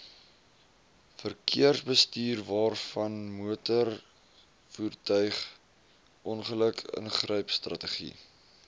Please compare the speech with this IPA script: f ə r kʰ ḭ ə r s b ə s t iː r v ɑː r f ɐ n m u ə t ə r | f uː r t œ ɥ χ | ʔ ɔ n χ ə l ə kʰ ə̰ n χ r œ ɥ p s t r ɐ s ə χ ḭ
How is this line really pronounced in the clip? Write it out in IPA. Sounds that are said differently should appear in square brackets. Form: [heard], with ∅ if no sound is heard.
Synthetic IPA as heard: f ə r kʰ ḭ ə r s b ə s t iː r v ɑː r f ɐ n m u ə t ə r | f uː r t œ ɥ χ | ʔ ɔ n χ ə l ə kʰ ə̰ n χ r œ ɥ p s t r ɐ [t] ə χ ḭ